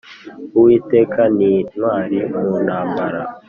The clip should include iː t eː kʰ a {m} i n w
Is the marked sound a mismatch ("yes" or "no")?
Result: yes